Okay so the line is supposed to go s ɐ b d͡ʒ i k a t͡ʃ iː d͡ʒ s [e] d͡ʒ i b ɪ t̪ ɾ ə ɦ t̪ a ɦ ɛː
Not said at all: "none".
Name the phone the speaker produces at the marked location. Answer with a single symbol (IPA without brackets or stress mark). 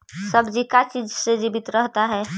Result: e